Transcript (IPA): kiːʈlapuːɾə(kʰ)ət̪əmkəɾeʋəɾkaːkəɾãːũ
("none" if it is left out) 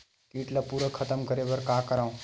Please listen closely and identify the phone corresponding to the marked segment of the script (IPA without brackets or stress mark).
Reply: kʰ